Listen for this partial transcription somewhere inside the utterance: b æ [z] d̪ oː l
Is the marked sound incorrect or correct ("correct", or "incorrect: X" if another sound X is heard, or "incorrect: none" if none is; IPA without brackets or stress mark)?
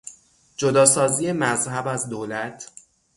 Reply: correct